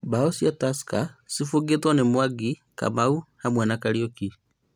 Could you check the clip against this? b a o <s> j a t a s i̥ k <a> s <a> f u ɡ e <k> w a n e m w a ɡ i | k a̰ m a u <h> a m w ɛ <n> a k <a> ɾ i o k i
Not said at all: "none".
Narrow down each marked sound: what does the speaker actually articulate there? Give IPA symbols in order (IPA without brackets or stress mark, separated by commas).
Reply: s, a, i, t, h, n, a